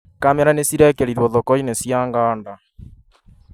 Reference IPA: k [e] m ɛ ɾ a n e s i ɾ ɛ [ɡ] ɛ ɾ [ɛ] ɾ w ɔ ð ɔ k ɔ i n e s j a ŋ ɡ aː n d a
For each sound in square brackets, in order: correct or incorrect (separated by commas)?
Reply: incorrect, incorrect, incorrect